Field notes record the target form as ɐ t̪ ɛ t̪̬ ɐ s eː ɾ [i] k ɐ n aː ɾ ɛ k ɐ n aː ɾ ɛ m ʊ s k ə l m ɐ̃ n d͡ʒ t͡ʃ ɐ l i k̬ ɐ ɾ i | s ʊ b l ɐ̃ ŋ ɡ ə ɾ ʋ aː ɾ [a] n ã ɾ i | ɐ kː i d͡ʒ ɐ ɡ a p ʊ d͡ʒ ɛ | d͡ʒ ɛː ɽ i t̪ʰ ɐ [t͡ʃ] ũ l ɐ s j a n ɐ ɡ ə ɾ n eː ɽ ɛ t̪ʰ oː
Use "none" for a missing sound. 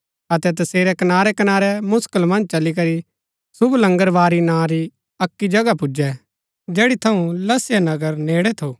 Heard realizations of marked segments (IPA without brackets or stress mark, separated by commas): ɛ, i, none